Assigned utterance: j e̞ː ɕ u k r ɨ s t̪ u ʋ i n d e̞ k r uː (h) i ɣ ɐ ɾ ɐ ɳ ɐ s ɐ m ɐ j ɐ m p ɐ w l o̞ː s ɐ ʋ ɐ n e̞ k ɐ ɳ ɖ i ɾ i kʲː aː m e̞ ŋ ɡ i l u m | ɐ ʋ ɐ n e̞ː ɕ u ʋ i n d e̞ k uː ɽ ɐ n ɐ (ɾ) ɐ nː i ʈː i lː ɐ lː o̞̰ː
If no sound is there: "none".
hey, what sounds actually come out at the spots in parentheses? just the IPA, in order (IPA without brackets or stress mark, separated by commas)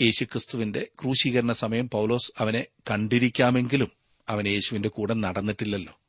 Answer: ɕ, ɽ